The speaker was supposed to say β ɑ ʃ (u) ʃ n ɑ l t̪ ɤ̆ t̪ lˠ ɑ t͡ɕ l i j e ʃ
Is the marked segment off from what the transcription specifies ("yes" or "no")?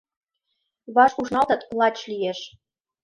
no